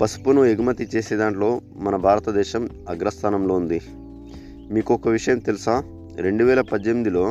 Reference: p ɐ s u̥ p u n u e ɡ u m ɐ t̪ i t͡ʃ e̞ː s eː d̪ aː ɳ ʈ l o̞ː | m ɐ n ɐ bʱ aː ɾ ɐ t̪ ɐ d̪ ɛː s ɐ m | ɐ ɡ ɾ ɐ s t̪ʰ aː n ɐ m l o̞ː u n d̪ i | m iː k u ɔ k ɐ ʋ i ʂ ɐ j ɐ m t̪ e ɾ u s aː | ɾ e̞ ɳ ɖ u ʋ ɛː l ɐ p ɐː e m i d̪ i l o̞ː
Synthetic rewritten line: p ɐ s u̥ p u n u e ɡ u m ɐ t̪ i t͡ʃ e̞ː s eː d̪ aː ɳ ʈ l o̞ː | m ɐ n ɐ bʱ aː ɾ ɐ t̪ ɐ d̪ ɛː ʃ ɐ m | ɐ ɡ ɾ ɐ s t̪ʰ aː n ɐ m l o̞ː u n d̪ i | m iː k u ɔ k ɐ ʋ i ʂ ɐ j ɐ m t̪ e l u s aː | ɾ e̞ ɳ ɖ u ʋ ɛː l ɐ p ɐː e m i d̪ i l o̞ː